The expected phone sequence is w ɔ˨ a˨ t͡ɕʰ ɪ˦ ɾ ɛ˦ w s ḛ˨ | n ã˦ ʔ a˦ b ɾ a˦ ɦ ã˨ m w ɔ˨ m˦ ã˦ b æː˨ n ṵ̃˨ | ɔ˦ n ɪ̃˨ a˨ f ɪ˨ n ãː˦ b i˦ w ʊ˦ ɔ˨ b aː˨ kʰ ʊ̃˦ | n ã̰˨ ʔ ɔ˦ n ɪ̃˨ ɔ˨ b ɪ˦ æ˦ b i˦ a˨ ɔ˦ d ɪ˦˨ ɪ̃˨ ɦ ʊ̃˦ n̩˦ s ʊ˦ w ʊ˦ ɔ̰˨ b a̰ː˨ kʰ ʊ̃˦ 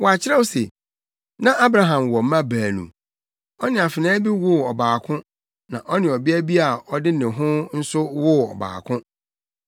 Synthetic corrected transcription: w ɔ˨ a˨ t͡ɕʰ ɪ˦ ɾ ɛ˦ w s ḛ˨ | n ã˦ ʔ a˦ b ɾ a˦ ɦ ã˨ m w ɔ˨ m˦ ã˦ b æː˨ n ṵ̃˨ | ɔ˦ n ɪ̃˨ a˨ f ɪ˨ n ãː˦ b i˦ w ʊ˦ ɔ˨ b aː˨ kʰ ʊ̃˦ | n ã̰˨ ʔ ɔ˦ n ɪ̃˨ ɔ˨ b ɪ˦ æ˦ b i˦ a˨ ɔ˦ d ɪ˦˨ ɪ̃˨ ɦ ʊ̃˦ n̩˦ s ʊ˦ w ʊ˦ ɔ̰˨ b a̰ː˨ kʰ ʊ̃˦